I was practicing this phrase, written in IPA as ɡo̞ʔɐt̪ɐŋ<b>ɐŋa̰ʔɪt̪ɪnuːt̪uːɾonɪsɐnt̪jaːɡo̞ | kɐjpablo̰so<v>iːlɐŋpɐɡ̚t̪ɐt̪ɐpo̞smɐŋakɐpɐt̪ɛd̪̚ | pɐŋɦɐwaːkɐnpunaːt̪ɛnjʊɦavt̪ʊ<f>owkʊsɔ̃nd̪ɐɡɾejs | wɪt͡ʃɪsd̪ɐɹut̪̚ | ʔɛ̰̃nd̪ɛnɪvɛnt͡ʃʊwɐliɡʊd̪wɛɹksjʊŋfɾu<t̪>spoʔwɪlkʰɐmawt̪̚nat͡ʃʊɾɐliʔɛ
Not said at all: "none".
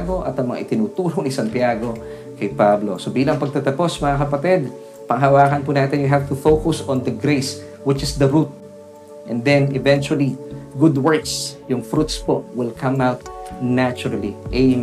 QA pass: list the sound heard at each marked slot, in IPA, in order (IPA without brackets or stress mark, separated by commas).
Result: m, b, f, t̪